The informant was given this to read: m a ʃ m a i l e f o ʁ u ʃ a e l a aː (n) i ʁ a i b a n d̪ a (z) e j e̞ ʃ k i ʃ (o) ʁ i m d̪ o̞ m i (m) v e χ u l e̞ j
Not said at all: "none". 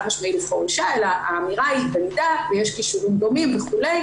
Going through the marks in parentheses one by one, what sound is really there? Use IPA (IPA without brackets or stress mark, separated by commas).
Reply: m, v, u, m